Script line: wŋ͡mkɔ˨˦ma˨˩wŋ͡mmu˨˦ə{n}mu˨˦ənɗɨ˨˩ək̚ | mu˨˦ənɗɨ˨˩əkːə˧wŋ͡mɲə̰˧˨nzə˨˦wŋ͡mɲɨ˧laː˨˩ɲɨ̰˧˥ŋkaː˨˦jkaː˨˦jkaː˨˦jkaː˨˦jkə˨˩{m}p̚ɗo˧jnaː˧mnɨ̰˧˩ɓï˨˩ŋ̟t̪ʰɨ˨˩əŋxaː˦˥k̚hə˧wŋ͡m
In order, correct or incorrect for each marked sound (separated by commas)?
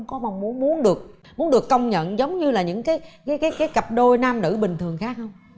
correct, incorrect